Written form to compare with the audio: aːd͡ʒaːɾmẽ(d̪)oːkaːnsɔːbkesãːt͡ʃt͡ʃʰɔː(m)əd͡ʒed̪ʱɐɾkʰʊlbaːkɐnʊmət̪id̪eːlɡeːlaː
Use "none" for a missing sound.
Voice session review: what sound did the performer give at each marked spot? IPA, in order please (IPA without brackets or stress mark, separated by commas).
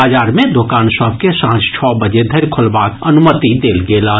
d̪, b